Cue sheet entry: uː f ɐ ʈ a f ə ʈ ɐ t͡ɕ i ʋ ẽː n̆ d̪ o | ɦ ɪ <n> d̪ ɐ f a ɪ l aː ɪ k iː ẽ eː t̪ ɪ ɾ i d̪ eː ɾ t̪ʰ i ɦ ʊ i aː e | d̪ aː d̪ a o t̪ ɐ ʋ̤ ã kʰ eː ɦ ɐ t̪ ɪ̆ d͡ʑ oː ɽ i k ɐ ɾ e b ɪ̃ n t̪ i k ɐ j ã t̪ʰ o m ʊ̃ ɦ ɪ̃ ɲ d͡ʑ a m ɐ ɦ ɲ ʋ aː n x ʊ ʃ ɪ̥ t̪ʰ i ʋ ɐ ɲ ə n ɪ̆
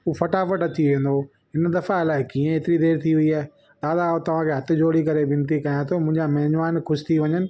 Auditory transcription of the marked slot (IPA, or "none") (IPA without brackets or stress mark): n